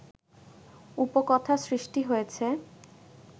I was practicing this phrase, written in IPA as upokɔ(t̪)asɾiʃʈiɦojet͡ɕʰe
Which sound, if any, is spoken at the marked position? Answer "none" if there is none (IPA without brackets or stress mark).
t̪ʰ